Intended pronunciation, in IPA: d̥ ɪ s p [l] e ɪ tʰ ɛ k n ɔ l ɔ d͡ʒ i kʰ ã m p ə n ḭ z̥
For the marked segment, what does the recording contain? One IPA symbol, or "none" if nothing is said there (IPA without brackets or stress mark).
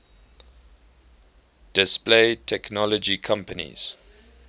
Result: l